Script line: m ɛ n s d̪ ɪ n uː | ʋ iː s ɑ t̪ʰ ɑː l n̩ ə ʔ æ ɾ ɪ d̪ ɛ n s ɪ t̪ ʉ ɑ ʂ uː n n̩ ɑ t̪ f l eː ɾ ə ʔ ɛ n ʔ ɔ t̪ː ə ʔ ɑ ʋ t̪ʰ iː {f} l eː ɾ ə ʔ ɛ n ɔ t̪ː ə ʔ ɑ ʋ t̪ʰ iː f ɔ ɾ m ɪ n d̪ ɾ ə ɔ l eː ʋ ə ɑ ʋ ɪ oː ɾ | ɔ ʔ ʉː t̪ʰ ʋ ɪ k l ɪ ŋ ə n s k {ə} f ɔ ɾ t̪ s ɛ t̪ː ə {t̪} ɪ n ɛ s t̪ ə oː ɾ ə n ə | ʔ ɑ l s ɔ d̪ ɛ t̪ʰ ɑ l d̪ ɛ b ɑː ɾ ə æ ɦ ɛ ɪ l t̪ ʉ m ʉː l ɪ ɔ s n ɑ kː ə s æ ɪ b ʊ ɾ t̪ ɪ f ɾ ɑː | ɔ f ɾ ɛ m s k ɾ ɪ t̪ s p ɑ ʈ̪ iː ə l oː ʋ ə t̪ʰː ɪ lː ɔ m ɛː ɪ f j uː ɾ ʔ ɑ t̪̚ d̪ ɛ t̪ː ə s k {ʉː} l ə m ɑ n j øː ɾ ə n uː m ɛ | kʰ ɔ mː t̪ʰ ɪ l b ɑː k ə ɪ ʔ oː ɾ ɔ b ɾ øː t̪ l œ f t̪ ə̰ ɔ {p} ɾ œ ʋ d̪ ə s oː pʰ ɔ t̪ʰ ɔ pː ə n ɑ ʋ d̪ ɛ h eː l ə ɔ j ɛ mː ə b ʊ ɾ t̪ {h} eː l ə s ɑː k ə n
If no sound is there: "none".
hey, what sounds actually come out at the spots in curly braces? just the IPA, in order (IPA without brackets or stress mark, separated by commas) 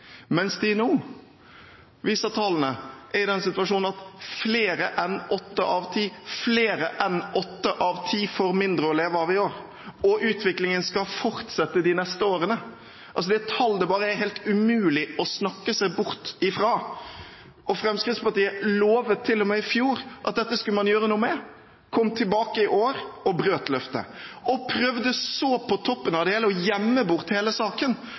f, ɑ, d̪, ʉ, pʰ, h